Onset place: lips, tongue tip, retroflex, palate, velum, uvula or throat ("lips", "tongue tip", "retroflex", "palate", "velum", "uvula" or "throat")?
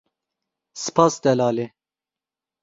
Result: tongue tip